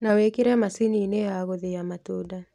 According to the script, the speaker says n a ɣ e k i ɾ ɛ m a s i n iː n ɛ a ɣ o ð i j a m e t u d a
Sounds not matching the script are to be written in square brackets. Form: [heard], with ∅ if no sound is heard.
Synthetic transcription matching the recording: n a [w] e k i ɾ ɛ m a s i n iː n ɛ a ɣ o ð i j a m [a] t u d a